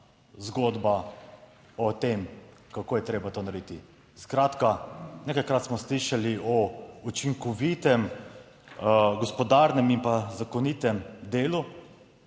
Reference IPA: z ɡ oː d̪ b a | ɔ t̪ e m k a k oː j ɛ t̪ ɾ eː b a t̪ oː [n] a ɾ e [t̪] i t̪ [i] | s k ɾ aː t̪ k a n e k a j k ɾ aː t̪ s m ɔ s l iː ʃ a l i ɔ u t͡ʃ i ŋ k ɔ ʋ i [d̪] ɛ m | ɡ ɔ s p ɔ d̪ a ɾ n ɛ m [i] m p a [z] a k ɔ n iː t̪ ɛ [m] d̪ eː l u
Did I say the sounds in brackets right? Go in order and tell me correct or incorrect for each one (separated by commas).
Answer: correct, incorrect, correct, incorrect, correct, correct, correct